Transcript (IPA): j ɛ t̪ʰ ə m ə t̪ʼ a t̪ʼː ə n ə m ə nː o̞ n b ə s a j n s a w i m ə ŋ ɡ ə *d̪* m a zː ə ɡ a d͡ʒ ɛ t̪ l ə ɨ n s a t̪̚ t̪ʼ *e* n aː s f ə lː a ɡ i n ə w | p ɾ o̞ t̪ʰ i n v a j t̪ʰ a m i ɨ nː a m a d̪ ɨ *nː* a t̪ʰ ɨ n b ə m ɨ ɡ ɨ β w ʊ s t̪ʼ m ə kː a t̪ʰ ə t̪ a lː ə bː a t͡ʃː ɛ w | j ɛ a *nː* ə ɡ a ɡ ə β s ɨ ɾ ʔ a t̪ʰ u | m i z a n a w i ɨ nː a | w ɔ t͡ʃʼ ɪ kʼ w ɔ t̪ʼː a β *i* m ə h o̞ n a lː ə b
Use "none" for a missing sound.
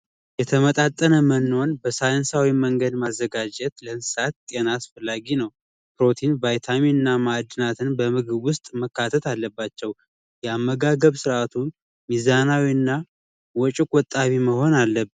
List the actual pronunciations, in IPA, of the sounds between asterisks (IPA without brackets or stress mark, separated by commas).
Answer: d̪, e, n, mː, i